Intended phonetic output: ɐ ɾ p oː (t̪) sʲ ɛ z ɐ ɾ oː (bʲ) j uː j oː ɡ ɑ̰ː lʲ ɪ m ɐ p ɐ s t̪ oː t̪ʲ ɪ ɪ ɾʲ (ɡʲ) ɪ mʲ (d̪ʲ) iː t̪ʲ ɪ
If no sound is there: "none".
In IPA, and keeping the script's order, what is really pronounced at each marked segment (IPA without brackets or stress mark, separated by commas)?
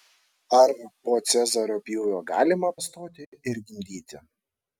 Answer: t̪, pʲ, ɡʲ, d̪ʲ